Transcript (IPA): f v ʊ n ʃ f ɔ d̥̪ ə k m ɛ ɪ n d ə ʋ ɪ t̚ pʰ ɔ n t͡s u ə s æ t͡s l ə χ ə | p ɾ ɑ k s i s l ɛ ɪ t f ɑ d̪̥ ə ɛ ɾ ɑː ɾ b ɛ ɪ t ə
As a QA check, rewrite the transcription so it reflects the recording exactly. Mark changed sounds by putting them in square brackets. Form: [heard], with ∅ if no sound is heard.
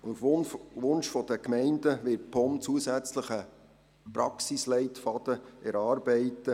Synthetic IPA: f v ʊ n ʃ f ɔ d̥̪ ə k m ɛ ɪ n d ə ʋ ɪ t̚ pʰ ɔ [m] t͡s u ə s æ t͡s l ə χ ə | p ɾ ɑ k s i s l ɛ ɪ t f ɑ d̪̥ ə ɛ ɾ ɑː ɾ b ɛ ɪ t ə

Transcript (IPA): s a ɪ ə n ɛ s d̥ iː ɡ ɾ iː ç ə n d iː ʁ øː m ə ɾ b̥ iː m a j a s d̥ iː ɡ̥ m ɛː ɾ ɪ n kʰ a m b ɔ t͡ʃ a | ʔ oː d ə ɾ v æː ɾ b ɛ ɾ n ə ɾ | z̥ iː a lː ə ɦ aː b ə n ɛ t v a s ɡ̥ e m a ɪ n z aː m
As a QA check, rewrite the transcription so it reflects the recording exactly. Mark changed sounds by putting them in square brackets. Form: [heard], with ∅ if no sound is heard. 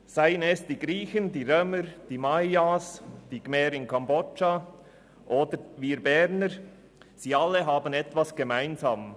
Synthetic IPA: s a ɪ ə n ɛ s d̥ iː ɡ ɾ iː ç ə n d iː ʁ øː m ə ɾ [d̥] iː m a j a s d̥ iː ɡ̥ m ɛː ɾ ɪ n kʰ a m b ɔ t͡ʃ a | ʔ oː d ə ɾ v [iː] ɾ b ɛ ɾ n ə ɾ | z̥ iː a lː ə ɦ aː b ə n ɛ t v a s ɡ̥ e m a ɪ n z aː m

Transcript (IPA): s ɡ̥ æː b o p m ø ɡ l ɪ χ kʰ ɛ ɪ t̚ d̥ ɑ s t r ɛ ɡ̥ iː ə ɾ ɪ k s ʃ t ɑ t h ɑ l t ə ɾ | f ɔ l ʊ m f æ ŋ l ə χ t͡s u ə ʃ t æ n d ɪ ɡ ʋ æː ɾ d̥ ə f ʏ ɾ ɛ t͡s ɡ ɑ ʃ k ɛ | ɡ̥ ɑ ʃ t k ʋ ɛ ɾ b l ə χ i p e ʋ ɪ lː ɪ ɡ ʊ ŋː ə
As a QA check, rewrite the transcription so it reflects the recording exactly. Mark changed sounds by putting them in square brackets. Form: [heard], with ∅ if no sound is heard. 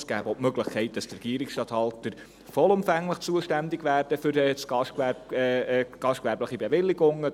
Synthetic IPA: s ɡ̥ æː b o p m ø ɡ l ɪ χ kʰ ɛ ɪ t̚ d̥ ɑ s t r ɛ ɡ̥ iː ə ɾ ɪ k s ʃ t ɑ t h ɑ l t ə ɾ | f ɔ l ʊ m f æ ŋ l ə χ t͡s u ə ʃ t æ n d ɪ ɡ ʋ æː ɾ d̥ ə f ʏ ɾ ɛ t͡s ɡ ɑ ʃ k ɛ | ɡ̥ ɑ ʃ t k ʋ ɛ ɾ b l ə χ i [b] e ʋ ɪ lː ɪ ɡ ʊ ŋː ə

